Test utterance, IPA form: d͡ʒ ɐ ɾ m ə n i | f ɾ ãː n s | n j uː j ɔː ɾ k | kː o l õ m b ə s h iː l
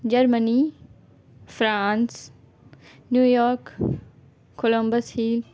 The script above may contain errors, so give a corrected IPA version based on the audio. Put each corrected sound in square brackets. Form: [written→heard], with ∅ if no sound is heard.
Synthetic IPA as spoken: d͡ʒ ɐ ɾ m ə n i | f ɾ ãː n s | n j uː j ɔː ɾ k | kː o l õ m b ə s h iː l